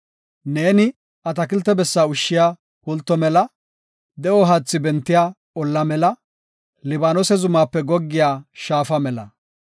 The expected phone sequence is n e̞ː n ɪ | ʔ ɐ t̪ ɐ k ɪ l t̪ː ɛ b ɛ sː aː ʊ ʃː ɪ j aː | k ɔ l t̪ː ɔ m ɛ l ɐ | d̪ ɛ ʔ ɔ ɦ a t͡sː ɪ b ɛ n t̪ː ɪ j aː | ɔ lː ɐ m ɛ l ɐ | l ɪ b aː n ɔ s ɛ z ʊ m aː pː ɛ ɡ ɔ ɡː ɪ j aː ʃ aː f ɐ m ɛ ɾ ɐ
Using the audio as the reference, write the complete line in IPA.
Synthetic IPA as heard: n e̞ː n ɪ | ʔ ɐ t̪ ɐ k ɪ l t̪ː ɛ b ɛ sː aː ʊ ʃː ɪ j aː | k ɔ l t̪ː ɔ m ɛ l ɐ | d̪ ɛ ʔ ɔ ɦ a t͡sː ɪ b ɛ n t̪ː ɪ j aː | ɔ lː ɐ m ɛ l ɐ | l ɪ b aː n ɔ s ɛ z ʊ m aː pː ɛ ɡ ɔ ɡː ɪ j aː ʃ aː f ɐ m ɛ l ɐ